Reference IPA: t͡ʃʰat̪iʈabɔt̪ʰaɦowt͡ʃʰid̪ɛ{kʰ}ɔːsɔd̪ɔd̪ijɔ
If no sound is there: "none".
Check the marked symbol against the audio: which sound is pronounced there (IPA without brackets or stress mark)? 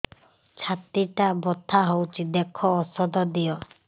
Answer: kʰ